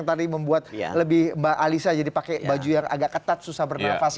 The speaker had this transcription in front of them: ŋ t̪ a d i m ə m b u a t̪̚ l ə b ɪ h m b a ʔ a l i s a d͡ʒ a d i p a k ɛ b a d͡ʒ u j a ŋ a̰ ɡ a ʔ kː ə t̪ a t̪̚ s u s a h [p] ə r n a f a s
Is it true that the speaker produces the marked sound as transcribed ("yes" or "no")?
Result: no